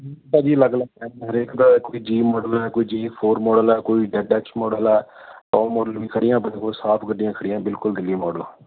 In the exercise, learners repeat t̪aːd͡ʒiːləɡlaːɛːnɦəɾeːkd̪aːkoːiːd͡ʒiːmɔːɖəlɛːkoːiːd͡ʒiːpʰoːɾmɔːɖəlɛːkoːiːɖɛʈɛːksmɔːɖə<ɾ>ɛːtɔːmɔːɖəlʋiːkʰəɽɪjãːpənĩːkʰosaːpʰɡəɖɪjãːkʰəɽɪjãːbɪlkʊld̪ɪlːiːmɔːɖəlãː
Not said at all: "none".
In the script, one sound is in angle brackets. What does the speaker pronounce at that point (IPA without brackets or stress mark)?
l